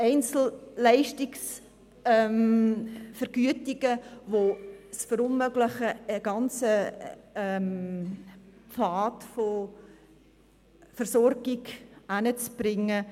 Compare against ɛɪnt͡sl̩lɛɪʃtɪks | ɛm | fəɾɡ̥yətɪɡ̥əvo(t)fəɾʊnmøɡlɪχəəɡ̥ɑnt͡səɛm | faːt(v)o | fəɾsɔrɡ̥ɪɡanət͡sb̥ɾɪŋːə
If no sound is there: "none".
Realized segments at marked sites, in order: s, f

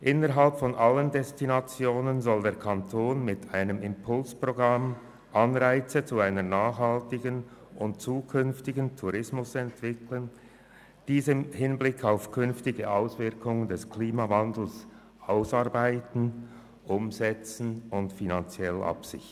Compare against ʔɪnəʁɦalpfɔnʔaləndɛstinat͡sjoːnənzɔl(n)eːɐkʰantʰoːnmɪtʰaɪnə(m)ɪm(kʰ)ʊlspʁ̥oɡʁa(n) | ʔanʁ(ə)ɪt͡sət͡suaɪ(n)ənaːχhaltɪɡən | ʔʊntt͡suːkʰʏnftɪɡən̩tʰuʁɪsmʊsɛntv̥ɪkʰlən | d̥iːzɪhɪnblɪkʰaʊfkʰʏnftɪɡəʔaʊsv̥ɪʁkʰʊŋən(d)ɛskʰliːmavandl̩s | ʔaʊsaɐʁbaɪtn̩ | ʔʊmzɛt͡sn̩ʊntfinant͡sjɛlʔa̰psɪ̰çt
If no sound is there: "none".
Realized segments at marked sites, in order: d, m, pʰ, m, a, n, d

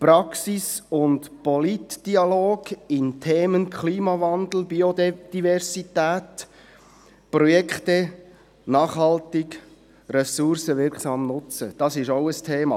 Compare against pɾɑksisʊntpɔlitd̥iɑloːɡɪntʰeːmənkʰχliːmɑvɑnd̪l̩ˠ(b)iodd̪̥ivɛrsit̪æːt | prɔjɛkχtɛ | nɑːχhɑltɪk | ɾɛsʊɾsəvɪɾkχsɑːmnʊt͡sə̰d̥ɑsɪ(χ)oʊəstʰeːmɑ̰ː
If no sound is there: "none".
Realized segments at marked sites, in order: b, ʃ

